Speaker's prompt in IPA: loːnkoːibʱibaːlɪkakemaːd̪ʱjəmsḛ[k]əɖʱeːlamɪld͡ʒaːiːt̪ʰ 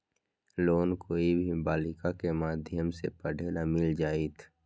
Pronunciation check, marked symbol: incorrect: p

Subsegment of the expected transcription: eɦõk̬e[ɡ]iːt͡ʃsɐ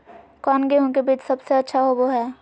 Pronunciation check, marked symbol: incorrect: b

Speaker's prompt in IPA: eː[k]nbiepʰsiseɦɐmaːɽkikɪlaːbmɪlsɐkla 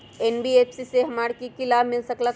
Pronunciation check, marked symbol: incorrect: none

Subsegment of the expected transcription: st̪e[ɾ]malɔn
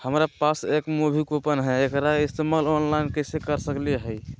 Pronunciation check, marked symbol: incorrect: none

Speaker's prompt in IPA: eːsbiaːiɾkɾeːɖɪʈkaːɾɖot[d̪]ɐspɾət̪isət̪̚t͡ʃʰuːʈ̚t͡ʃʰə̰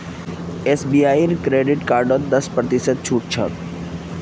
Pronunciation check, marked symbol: correct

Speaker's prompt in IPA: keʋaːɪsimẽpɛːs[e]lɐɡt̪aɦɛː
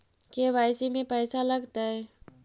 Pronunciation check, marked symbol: incorrect: a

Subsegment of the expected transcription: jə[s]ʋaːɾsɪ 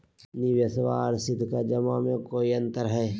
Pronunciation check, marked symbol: correct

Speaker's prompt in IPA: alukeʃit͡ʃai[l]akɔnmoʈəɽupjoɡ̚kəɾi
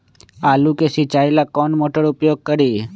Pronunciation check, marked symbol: correct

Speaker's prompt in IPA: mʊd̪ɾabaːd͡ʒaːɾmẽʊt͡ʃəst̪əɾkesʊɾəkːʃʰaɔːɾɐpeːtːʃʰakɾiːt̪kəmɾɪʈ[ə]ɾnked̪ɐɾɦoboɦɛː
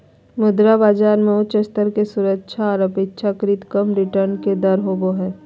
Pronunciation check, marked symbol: correct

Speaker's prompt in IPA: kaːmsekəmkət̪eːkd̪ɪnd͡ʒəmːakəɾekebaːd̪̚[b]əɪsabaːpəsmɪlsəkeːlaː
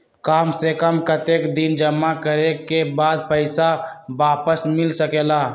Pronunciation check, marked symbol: incorrect: p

